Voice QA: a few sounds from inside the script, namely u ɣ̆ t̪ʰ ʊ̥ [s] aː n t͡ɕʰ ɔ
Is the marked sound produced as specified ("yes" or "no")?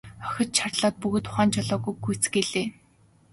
no